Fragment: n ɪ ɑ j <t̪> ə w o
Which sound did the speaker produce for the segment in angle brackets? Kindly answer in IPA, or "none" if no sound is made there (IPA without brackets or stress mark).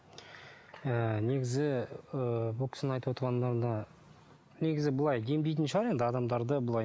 t̪